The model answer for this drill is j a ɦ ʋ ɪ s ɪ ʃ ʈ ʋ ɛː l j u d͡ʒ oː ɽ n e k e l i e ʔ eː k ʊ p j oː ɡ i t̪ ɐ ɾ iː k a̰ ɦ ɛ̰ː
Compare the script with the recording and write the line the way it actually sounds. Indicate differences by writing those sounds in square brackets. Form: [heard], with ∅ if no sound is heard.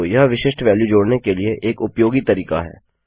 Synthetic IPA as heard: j [ɐ] ɦ ʋ ɪ [ʃ] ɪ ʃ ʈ ʋ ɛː l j u d͡ʒ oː ɽ n e k e l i e ʔ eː k ʊ p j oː ɡ i t̪ ɐ ɾ iː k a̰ ɦ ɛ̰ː